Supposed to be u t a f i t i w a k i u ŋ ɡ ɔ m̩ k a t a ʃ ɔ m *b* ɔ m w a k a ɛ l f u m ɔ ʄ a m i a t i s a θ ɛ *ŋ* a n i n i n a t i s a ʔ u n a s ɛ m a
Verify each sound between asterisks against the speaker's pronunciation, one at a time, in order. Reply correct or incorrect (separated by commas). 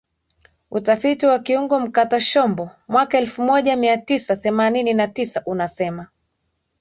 correct, incorrect